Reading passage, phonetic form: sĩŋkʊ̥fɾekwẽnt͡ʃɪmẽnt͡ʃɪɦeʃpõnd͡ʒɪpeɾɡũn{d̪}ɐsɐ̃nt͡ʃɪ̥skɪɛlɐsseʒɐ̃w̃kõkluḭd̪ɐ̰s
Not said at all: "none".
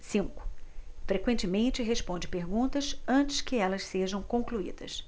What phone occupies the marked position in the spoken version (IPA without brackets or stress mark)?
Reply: t̪